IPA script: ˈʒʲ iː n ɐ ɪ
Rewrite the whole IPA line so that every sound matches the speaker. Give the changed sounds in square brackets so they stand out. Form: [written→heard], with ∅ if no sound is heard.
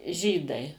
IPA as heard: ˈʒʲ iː [n→d] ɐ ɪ